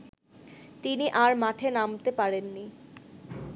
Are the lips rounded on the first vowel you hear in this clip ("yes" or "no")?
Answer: no